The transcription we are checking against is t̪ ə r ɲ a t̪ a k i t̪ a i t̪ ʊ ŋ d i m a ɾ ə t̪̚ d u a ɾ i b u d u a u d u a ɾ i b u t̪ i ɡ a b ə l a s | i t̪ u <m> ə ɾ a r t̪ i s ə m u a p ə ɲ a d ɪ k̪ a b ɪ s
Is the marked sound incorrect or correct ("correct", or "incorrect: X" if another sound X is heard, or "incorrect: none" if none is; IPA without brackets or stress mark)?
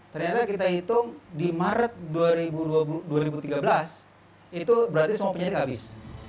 incorrect: b